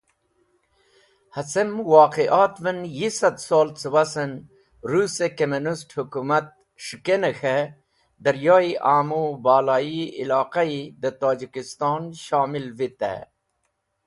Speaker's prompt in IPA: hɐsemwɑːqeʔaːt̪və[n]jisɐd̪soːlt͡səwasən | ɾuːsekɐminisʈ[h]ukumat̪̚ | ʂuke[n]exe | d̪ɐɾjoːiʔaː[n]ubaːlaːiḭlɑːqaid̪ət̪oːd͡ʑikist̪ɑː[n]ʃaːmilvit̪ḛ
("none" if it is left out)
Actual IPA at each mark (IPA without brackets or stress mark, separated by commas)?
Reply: n, h, n, m, n